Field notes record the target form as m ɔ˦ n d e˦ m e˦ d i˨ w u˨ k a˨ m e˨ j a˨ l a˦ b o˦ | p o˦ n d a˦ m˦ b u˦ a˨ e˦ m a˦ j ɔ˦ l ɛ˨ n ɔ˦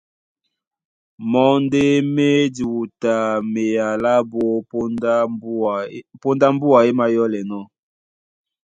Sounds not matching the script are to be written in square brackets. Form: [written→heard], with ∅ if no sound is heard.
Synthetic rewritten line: m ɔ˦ n d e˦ m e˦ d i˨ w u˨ [k→t] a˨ m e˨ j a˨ l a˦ b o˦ | p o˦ n d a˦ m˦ b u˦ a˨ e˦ m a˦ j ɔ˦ l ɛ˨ n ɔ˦